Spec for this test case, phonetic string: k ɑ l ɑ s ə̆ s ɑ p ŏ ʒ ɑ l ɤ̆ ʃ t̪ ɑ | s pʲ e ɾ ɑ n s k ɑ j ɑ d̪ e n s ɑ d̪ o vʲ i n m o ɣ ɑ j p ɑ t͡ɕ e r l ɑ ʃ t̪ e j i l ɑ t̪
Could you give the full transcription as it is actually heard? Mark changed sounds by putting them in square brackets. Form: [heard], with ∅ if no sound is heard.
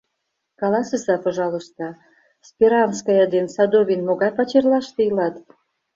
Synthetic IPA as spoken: k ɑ l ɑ s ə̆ s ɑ p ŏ ʒ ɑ l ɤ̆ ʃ t̪ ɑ | s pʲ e ɾ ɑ n s k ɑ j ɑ d̪ e n s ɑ d̪ o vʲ i n m o ɣ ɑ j p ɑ t͡ɕ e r l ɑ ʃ t̪ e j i l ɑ t̪